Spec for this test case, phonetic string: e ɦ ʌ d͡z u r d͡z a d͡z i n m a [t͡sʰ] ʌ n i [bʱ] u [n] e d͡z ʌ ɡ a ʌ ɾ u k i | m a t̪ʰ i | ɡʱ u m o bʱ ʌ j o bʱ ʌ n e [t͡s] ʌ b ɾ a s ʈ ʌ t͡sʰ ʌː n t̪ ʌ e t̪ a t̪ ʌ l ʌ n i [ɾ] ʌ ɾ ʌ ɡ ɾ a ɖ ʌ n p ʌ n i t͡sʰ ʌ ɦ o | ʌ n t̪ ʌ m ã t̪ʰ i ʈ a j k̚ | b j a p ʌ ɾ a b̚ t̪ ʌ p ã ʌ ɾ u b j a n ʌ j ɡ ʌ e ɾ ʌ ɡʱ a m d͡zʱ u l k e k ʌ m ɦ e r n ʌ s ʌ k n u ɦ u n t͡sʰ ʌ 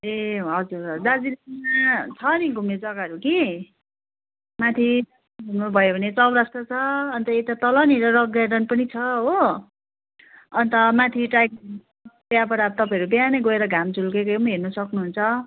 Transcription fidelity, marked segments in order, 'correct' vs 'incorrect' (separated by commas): correct, incorrect, incorrect, correct, correct